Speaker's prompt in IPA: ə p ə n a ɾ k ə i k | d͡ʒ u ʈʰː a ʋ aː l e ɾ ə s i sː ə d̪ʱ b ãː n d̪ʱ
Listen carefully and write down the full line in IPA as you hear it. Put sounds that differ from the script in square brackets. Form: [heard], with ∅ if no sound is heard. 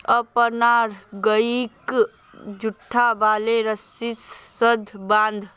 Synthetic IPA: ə p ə n a ɾ [ɡ] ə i k | d͡ʒ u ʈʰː a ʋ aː l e ɾ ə s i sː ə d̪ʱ b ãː n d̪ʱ